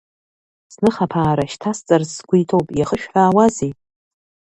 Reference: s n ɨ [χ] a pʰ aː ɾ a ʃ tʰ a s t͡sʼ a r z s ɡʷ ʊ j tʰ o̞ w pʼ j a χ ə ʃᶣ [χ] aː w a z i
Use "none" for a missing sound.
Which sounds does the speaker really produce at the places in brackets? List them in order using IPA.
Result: χ, ħ

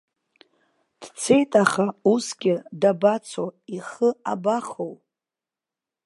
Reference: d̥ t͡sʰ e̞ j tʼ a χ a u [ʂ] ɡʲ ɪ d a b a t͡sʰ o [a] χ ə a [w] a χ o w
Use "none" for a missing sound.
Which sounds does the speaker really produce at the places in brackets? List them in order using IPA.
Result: s, i, b

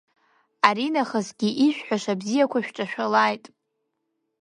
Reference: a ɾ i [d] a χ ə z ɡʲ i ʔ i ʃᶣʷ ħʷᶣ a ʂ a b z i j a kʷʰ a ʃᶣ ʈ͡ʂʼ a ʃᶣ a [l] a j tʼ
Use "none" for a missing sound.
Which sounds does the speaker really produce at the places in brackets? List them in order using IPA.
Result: n, l

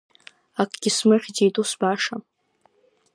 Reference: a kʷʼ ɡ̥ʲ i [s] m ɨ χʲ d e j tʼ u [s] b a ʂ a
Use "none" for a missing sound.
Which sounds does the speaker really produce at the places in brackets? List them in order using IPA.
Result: s, s

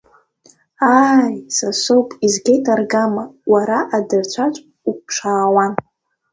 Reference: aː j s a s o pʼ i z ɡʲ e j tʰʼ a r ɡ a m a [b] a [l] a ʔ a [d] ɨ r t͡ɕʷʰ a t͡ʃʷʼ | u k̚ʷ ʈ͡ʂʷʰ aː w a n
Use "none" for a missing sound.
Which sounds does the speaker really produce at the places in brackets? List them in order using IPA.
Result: w, ɾ, d

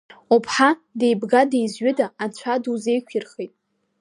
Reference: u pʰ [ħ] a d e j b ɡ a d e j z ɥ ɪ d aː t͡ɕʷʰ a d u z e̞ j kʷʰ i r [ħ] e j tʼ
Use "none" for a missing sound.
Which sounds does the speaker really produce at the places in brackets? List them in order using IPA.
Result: ħ, χ

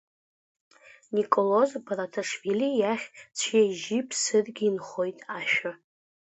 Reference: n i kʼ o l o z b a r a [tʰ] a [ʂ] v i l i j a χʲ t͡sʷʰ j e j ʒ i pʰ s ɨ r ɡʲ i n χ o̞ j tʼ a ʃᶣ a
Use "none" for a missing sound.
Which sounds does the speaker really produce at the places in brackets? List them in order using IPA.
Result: tʰ, ʂ

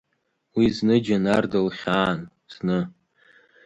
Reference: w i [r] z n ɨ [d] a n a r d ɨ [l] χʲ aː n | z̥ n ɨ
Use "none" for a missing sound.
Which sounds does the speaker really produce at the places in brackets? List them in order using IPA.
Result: none, d͡ʒ, l

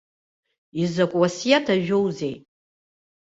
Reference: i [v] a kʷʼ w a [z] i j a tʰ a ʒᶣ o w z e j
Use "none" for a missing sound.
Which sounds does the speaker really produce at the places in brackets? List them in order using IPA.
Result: z, s

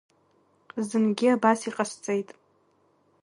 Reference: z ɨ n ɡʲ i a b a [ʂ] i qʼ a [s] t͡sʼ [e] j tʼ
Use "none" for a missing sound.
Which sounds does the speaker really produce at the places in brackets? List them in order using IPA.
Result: s, s, e

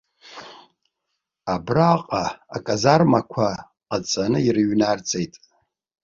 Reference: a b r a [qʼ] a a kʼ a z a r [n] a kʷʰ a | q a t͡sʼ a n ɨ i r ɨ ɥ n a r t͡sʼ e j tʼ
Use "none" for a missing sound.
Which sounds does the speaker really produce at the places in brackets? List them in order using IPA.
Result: qʼ, m

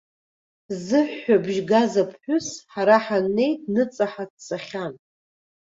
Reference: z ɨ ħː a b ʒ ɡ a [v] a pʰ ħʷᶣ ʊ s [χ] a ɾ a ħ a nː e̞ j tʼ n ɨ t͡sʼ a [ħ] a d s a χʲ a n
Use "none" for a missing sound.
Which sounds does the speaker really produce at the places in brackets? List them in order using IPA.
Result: z, ħ, ħ

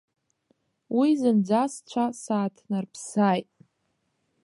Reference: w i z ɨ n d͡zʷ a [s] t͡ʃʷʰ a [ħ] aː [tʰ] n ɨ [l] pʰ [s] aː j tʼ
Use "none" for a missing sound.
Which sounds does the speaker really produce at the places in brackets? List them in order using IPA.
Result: s, s, tʰ, r, s

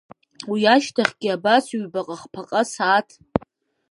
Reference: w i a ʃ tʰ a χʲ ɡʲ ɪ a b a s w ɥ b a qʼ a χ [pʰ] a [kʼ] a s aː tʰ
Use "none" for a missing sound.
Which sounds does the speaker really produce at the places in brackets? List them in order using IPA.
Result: pʰ, qʼ

